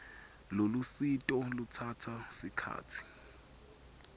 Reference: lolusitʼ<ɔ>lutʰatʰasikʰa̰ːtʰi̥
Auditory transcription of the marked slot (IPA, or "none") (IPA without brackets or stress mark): ɔ